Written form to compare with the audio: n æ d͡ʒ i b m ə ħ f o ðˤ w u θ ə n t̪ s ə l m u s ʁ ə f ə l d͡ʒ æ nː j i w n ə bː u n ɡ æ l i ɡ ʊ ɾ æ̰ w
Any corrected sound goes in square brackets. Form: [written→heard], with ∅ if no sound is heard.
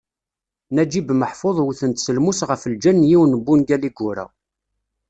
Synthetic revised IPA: n æ d͡ʒ i b m ə ħ f o ðˤ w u θ ə n t̪ s ə l m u s ʁ ə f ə l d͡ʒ æ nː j i w n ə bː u n ɡ æ l i ɡ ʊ ɾ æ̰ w